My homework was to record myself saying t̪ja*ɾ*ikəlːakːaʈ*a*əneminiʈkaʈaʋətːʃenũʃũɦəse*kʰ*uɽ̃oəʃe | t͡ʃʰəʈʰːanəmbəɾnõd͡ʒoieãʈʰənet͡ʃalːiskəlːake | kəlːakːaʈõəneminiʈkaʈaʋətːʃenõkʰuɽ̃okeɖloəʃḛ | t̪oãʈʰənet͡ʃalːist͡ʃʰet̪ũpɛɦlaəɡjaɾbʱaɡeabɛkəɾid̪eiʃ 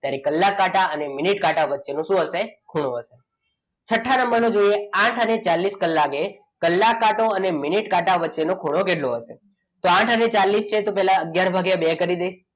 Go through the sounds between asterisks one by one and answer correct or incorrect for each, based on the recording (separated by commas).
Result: correct, correct, correct